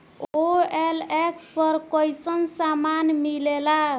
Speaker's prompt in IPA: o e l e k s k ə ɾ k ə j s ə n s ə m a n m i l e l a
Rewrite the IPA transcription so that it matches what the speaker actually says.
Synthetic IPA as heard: o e l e k s p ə ɾ k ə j s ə n s a m a n m i l e l a